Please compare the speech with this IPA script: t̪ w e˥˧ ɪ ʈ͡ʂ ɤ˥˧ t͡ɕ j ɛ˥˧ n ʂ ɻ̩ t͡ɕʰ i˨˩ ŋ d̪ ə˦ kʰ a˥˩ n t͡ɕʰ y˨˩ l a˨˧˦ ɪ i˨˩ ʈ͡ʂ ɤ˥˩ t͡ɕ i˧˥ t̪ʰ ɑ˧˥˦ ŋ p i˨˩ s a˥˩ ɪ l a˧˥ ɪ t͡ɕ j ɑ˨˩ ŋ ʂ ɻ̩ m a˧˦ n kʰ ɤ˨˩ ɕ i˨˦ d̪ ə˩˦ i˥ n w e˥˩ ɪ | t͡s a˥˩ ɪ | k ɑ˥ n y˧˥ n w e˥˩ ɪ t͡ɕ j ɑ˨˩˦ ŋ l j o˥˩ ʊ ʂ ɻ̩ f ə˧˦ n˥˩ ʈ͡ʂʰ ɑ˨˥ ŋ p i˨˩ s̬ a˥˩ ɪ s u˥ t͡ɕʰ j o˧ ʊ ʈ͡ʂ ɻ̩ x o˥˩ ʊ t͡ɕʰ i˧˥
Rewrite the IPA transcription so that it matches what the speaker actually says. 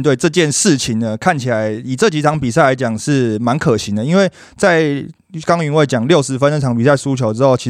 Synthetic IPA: t̪ w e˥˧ ɪ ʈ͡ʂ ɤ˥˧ t͡ɕ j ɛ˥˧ n ʂ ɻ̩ t͡ɕʰ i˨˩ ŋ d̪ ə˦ kʰ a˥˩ n t͡ɕʰ i˨˩ l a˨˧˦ ɪ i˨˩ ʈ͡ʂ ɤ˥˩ t͡ɕ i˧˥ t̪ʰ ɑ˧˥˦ ŋ p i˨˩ s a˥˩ ɪ l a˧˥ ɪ t͡ɕ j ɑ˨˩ ŋ ʂ ɻ̩ m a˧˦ n kʰ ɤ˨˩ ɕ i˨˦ d̪ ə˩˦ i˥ n w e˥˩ ɪ | t͡s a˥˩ ɪ | k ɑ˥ ŋ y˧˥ n w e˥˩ ɪ t͡ɕ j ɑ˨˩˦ ŋ l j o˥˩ ʊ ʂ ɻ̩ f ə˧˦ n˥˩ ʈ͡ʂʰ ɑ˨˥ ŋ p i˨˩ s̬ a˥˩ ɪ s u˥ t͡ɕʰ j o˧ ʊ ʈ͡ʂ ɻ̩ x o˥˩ ʊ t͡ɕʰ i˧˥